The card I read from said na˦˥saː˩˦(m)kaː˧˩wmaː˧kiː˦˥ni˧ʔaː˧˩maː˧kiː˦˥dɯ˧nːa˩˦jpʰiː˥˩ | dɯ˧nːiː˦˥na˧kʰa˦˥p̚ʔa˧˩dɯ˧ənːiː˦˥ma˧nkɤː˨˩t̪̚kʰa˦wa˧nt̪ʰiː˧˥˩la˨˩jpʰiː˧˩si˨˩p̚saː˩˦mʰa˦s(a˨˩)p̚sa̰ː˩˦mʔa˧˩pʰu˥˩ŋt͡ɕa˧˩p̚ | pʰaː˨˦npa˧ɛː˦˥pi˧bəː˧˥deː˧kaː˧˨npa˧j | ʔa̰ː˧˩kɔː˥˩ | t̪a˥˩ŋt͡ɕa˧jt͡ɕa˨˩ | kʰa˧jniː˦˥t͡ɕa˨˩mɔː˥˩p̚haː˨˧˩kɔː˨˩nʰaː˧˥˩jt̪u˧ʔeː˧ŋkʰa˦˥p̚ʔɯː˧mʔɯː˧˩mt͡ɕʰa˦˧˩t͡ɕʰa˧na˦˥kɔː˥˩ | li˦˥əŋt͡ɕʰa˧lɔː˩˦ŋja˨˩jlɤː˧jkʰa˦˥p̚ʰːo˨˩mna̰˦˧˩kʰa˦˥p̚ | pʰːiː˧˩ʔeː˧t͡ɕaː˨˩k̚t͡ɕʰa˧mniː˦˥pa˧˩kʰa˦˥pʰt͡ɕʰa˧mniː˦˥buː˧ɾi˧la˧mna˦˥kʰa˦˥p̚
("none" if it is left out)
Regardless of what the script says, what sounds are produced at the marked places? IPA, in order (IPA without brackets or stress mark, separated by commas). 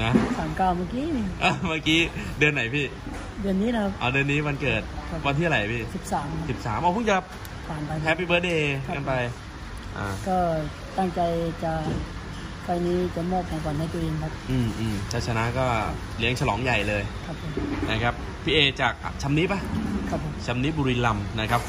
m, i˨˩